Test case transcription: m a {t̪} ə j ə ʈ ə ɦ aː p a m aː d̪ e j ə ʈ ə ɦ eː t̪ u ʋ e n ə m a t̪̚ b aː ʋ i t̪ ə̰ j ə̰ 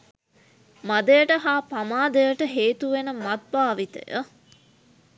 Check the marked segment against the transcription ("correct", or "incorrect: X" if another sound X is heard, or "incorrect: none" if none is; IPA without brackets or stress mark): incorrect: d̪